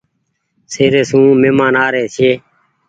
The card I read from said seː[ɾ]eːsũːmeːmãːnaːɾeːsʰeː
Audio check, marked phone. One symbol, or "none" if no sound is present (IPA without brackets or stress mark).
ɾ